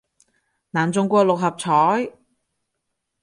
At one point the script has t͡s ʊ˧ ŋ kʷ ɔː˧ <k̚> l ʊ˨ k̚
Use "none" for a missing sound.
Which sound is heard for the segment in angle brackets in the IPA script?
none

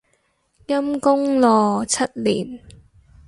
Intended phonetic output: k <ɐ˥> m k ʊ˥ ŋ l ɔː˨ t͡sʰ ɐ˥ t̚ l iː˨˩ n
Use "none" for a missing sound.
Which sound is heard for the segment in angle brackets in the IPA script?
ɐ˥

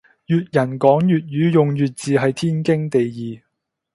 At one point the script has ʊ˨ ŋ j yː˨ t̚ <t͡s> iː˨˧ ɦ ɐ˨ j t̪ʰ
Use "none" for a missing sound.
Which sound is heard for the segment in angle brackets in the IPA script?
t͡s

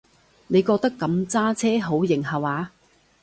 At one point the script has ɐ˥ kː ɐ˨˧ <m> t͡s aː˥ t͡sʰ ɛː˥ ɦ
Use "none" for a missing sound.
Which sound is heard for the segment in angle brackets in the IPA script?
m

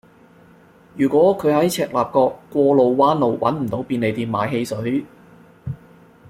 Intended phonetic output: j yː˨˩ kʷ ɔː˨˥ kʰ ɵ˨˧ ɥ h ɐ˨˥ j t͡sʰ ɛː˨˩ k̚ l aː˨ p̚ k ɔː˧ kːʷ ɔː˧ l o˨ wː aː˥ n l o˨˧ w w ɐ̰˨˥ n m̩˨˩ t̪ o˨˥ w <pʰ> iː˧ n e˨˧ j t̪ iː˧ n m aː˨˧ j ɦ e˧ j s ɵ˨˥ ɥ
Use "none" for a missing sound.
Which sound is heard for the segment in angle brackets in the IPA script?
p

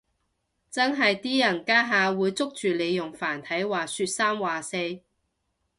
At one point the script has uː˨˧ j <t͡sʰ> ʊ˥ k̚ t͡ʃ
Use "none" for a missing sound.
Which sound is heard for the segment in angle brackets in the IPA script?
t͡s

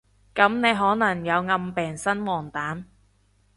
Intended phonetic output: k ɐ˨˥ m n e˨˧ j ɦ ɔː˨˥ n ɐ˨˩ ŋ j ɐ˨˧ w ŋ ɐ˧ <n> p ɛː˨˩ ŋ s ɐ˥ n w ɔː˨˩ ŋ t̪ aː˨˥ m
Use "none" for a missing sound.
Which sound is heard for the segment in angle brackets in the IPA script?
m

